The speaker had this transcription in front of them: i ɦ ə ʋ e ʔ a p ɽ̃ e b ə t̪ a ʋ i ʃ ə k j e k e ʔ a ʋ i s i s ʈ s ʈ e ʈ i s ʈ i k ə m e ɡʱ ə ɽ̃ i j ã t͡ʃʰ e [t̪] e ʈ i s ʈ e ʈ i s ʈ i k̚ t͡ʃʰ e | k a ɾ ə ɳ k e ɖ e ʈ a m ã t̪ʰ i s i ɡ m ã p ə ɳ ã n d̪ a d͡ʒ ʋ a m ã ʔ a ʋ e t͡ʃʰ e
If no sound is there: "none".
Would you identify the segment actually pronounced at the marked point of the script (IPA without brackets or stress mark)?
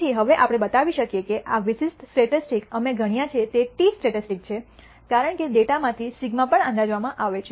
t̪